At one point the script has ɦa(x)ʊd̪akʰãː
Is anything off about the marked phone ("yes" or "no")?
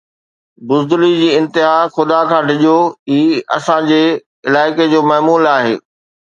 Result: no